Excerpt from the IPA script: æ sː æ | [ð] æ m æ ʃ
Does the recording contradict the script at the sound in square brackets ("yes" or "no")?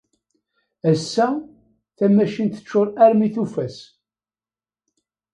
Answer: yes